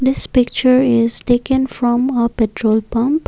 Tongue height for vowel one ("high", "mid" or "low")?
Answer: high